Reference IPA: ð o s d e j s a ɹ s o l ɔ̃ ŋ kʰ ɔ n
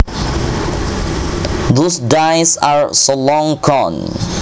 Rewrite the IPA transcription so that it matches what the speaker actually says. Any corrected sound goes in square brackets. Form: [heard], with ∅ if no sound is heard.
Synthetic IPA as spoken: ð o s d [a] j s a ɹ s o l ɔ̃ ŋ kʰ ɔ n